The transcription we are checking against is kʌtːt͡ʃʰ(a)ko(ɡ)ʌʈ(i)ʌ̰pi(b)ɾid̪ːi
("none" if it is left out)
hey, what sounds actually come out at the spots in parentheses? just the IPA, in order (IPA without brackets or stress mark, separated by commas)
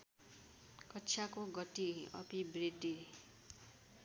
a, ɡ, i, b